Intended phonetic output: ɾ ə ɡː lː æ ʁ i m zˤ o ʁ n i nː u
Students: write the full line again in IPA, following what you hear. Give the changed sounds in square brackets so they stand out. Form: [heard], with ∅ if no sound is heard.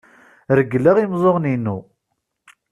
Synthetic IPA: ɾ ə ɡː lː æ ʁ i m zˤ o ʁ n i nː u